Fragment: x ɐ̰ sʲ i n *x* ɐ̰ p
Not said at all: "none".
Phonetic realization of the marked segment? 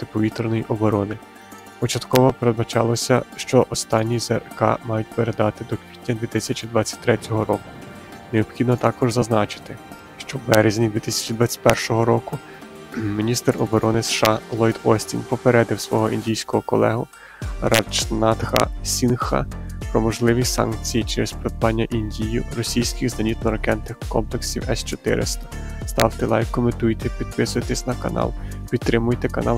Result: x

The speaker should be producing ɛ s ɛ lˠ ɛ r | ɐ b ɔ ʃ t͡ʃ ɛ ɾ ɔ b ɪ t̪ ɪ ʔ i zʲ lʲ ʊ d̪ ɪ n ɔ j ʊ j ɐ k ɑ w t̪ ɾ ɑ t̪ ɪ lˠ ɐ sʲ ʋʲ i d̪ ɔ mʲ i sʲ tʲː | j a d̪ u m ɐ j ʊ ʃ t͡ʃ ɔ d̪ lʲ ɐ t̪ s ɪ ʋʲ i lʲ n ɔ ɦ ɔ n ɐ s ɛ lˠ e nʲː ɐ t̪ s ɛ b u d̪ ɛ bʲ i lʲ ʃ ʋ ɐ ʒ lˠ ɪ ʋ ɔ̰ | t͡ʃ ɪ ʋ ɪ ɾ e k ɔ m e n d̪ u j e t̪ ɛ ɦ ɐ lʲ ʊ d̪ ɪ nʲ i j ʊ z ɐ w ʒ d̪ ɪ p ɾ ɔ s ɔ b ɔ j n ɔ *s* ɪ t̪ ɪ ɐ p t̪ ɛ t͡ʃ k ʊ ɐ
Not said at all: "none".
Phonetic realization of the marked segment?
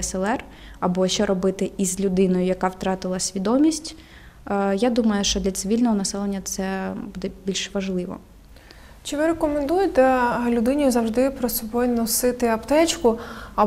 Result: s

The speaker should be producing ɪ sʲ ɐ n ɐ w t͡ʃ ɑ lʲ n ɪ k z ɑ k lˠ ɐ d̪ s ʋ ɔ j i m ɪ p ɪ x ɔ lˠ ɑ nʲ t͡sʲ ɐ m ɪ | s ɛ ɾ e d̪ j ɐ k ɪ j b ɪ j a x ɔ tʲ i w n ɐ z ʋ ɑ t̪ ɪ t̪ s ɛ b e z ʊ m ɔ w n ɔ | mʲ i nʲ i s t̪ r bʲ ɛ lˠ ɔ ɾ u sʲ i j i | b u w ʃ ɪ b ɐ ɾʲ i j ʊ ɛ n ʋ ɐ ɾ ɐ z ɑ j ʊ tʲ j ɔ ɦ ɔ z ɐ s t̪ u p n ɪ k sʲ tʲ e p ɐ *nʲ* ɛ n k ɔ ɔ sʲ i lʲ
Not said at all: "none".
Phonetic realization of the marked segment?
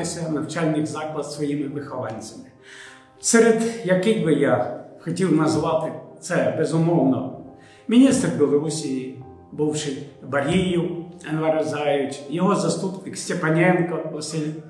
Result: nʲ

